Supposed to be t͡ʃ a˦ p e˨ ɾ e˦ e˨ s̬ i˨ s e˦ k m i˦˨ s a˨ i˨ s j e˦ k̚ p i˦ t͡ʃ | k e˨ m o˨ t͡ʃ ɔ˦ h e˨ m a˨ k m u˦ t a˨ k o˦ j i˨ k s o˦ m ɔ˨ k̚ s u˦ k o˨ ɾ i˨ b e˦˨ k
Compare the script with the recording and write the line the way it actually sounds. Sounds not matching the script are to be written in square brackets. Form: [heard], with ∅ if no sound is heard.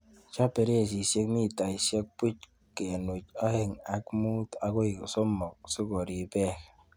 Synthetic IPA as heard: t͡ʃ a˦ p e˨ ɾ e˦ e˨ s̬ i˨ s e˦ k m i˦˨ [t] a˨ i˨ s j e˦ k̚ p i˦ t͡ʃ | k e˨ [n] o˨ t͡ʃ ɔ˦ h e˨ [ŋ] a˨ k m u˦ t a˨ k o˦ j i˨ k s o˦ m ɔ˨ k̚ s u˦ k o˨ ɾ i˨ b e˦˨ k